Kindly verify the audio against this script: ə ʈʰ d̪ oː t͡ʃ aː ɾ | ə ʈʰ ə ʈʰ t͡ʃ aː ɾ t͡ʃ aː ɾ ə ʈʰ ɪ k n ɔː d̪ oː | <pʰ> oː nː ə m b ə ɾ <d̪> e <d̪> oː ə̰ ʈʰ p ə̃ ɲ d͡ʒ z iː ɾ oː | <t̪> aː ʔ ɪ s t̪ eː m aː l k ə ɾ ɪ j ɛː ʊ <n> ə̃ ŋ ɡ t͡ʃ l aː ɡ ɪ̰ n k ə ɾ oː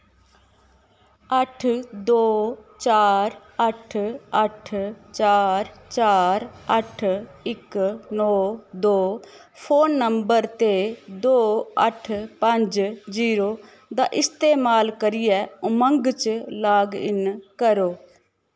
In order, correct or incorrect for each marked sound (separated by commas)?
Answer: correct, incorrect, correct, incorrect, incorrect